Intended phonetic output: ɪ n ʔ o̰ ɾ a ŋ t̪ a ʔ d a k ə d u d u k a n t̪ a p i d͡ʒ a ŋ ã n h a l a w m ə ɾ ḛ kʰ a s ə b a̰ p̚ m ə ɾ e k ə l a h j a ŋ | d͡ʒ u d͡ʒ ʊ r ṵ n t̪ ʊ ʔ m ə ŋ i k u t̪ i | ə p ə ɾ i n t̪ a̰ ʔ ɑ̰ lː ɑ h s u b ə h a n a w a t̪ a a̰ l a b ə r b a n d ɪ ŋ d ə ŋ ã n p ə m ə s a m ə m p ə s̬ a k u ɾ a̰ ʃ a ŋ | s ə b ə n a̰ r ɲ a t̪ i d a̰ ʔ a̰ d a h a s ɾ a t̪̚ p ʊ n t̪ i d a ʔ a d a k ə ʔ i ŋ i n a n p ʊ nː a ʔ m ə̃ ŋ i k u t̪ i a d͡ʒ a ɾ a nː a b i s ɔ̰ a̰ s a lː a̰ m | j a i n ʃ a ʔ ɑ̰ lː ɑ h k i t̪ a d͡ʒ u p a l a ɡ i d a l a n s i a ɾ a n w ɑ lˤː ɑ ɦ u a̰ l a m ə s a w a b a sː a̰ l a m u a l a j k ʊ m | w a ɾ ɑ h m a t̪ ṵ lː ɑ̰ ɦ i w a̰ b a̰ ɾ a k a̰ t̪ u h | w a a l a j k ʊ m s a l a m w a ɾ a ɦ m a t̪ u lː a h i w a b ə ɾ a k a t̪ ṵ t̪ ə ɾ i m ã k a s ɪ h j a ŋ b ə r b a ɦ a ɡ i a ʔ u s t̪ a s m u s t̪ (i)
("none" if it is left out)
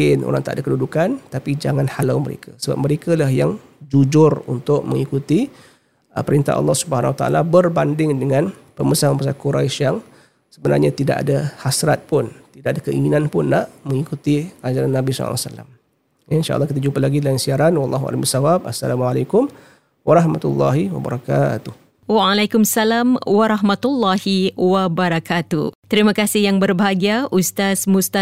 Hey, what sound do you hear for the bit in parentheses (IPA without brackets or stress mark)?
a